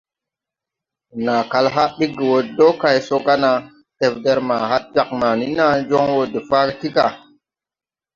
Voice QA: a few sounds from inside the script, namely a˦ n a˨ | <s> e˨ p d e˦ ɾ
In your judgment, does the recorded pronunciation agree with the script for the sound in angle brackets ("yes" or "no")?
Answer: no